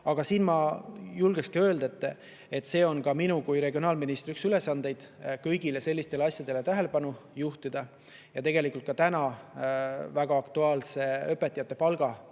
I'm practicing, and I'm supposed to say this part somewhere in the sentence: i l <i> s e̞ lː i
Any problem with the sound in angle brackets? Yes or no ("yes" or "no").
yes